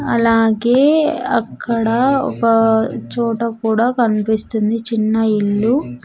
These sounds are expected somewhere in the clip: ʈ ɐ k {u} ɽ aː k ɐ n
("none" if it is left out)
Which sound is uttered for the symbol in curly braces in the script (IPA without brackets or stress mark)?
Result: uː